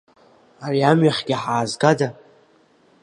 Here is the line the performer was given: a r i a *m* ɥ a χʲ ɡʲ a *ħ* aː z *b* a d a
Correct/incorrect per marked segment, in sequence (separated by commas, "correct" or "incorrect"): correct, correct, incorrect